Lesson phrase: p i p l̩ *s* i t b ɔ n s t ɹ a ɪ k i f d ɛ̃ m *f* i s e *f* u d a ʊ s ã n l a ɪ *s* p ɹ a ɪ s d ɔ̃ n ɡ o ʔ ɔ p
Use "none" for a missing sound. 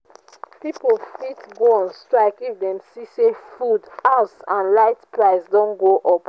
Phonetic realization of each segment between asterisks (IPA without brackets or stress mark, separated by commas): f, s, f, t